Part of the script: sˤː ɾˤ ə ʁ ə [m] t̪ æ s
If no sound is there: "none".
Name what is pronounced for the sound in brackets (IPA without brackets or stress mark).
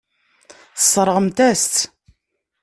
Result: m